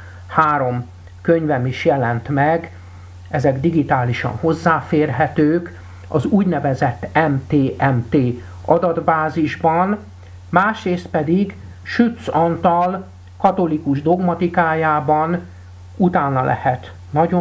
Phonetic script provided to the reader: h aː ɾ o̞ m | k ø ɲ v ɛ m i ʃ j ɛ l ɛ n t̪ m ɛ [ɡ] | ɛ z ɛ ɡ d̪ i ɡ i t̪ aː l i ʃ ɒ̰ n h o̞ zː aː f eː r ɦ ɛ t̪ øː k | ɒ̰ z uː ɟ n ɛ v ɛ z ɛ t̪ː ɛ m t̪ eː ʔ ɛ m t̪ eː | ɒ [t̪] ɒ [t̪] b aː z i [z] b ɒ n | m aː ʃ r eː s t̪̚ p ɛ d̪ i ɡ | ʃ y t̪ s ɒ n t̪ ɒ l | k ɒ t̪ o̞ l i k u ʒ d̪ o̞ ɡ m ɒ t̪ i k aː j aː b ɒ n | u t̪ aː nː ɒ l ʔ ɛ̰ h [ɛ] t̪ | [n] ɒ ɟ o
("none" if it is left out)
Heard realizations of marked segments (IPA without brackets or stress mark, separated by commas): ɡ, d̪, d̪, ʒ, ɛ, n